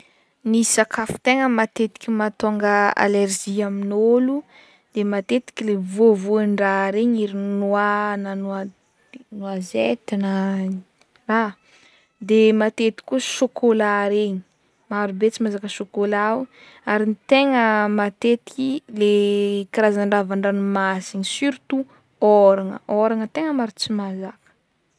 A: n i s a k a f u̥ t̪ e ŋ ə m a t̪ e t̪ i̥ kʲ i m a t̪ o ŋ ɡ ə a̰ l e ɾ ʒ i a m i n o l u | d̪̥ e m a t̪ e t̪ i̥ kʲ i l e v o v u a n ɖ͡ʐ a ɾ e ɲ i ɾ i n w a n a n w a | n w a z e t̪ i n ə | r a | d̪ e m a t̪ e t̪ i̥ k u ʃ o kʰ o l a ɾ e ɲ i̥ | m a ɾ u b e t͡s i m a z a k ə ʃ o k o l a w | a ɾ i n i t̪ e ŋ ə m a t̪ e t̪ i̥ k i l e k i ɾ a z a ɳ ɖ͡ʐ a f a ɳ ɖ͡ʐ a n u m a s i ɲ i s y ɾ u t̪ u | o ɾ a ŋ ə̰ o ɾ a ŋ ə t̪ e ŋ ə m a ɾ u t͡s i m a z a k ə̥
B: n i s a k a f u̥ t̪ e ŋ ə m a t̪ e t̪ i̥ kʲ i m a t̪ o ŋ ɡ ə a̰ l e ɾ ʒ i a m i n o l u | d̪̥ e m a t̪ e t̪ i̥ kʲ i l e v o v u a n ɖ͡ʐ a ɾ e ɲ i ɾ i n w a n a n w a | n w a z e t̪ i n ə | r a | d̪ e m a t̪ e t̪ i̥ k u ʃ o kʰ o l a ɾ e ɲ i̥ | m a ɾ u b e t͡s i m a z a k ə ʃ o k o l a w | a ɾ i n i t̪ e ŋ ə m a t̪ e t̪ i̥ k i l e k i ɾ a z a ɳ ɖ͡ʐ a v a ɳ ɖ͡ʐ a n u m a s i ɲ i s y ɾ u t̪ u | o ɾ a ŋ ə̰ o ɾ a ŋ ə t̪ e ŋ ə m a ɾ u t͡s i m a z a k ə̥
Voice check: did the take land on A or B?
B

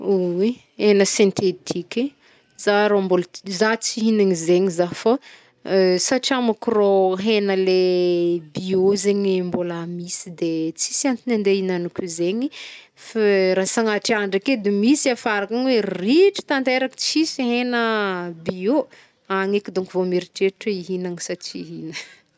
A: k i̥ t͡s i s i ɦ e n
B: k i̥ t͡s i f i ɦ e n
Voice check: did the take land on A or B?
A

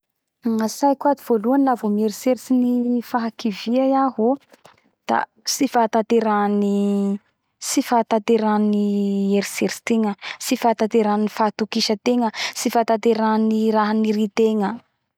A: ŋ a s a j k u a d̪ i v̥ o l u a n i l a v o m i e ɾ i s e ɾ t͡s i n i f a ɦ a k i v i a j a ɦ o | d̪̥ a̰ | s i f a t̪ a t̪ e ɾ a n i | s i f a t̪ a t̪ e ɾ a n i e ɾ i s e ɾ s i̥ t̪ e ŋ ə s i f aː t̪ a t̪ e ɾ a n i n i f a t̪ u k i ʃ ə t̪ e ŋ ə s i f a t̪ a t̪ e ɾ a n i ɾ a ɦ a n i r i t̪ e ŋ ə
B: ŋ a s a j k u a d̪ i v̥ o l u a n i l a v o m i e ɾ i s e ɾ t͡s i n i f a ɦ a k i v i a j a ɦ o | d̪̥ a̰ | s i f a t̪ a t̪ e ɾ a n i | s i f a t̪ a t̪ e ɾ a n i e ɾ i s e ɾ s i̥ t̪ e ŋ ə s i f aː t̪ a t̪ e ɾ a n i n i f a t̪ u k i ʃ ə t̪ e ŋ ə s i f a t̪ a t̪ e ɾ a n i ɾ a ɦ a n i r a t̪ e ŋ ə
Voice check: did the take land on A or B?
A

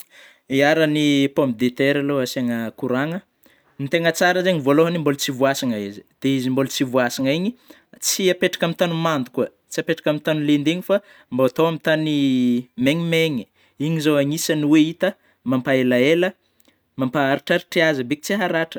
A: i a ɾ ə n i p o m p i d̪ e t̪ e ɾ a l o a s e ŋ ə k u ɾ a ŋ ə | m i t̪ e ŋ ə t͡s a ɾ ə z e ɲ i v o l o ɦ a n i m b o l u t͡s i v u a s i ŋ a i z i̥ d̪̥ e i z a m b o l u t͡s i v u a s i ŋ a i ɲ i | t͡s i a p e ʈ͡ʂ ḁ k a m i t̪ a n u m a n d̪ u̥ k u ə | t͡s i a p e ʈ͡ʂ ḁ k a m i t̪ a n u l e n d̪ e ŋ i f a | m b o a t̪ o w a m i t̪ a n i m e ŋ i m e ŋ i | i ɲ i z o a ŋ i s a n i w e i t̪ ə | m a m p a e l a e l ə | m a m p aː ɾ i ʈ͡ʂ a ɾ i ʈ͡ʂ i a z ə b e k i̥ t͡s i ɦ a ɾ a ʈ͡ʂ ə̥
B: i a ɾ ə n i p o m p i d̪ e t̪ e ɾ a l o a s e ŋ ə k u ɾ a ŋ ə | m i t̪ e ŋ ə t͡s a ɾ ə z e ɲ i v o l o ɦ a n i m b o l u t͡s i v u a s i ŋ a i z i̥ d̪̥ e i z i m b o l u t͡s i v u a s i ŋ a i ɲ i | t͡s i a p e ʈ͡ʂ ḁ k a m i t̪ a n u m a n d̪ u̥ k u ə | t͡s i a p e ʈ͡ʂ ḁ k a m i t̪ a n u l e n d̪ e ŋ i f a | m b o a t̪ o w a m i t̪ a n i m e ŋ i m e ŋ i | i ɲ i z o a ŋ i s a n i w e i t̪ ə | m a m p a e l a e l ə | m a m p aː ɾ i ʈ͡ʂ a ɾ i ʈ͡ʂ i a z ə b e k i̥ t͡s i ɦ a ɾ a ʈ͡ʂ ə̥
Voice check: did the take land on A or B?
B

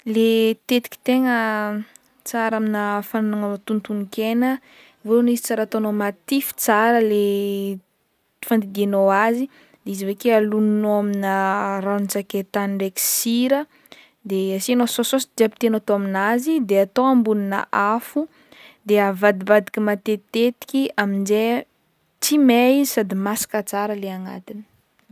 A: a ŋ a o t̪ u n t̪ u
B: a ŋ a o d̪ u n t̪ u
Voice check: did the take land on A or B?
A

